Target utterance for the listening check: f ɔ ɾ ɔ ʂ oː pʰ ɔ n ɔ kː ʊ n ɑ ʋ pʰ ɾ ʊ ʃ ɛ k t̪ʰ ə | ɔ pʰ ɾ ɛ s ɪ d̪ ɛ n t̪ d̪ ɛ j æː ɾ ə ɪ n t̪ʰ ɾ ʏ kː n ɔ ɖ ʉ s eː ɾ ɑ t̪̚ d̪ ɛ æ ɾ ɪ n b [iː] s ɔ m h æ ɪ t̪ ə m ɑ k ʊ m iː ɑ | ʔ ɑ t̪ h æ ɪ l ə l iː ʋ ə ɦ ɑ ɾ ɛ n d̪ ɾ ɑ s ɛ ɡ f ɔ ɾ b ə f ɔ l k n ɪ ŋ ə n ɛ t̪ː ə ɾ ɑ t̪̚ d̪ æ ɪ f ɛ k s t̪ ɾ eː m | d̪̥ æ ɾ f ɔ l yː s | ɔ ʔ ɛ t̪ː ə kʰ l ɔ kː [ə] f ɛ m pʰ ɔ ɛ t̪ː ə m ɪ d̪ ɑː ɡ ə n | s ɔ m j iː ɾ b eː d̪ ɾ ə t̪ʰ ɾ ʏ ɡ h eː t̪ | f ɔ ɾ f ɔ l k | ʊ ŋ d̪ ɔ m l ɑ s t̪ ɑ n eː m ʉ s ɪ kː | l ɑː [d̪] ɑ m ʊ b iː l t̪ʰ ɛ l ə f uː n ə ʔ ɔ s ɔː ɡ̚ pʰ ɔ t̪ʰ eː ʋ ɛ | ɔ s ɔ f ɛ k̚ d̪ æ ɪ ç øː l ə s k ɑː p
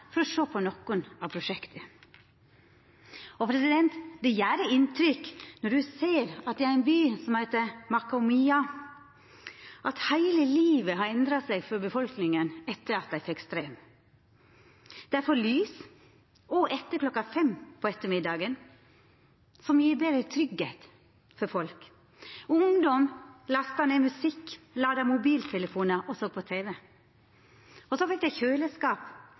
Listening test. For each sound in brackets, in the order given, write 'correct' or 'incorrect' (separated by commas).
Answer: incorrect, incorrect, correct